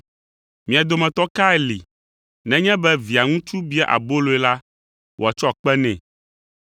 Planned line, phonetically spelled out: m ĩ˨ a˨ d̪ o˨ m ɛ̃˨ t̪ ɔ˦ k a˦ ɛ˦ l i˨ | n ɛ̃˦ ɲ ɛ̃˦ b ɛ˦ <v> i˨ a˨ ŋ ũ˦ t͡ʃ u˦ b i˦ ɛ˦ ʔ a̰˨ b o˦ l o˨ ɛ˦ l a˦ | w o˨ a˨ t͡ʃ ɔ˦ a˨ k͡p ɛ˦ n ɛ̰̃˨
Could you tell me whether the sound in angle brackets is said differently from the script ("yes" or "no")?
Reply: no